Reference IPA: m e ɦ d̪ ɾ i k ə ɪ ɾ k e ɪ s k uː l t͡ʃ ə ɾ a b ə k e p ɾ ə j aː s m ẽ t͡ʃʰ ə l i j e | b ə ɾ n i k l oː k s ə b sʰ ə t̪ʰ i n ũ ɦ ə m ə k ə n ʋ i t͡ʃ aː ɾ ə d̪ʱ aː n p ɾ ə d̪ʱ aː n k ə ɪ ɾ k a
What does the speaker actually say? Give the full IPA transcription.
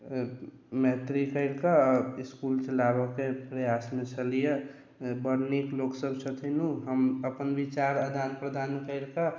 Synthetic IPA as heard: m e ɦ t̪ ɾ i k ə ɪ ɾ k a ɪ s k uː l t͡ʃ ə l a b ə k e p ɾ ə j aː s m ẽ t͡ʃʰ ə l i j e | b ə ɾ n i k l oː k s ə b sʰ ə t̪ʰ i n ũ ɦ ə m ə p ə n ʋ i t͡ʃ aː ɾ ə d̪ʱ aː n p ɾ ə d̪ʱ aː n k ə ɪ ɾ k a